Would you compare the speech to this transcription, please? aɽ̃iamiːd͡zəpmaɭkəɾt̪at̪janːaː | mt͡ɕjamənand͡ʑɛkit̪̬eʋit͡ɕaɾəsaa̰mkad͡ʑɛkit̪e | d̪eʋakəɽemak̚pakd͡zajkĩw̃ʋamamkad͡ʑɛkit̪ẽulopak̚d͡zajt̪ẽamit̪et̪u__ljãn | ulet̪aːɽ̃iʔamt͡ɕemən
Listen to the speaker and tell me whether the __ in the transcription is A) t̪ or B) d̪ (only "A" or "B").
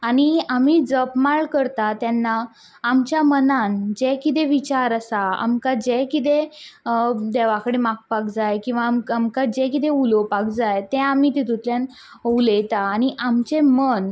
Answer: A